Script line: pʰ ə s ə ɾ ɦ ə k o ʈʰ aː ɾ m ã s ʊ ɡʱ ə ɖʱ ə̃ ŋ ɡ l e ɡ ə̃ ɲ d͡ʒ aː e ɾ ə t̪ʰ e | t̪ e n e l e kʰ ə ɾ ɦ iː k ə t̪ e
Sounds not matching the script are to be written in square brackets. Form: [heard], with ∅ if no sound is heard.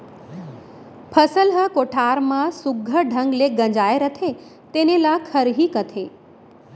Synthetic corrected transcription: pʰ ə s ə [l] ɦ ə k o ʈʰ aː ɾ m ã s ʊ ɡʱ ə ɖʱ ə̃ ŋ ɡ l e ɡ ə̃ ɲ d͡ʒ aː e ɾ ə t̪ʰ e | t̪ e n e l [a] kʰ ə ɾ ɦ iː k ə [t̪ʰ] e